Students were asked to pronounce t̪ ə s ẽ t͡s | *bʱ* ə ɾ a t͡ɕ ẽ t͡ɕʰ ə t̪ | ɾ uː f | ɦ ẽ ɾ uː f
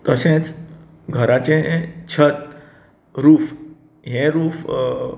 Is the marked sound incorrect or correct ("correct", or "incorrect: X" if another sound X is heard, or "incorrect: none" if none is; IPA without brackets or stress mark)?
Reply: incorrect: ɡʱ